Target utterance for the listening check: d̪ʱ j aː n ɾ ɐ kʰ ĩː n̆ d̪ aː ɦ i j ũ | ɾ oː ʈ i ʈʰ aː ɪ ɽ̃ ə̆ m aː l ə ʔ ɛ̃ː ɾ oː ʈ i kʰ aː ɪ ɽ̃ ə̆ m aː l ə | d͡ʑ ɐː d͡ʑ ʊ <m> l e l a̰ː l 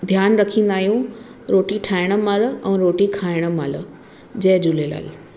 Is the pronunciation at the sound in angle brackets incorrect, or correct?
incorrect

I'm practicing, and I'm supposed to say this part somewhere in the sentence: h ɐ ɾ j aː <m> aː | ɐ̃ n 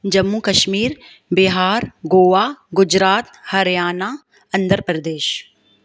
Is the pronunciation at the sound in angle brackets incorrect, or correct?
incorrect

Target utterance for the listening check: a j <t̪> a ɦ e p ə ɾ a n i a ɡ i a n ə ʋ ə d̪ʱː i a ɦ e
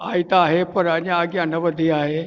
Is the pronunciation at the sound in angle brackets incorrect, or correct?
correct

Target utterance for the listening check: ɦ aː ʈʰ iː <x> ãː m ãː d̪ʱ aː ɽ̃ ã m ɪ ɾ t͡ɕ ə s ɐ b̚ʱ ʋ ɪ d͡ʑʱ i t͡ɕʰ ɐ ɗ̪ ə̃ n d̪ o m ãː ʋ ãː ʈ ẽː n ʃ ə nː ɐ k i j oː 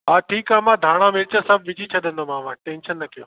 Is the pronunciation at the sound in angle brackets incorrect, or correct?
incorrect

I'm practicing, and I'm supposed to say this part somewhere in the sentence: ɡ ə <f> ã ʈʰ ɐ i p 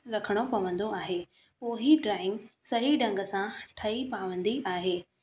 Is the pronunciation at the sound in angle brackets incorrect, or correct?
incorrect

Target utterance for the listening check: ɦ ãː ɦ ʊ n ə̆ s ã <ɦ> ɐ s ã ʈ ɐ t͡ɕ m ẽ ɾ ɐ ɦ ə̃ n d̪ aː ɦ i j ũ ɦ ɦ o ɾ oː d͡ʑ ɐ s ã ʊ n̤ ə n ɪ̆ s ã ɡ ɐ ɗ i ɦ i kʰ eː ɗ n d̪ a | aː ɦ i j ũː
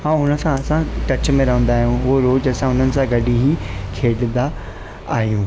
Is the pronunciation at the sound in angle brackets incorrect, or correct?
incorrect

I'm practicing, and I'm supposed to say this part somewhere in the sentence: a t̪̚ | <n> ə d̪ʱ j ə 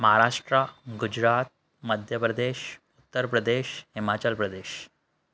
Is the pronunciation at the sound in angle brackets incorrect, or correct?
incorrect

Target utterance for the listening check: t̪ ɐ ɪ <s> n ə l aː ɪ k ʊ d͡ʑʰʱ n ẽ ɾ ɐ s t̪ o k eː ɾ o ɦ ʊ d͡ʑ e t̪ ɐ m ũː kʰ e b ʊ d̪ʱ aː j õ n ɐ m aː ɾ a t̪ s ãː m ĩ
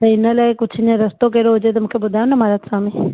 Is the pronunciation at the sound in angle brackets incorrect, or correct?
incorrect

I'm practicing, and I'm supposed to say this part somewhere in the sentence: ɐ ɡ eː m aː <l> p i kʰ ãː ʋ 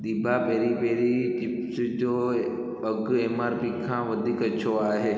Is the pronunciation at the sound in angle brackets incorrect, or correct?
incorrect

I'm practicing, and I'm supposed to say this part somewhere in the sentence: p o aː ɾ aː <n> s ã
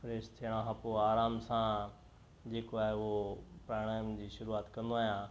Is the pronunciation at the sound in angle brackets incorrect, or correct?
incorrect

